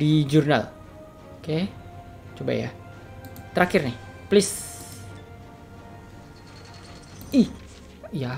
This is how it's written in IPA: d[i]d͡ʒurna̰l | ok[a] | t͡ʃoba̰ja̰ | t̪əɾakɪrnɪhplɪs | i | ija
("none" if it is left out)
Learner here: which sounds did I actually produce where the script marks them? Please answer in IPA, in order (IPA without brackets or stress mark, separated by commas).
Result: i, e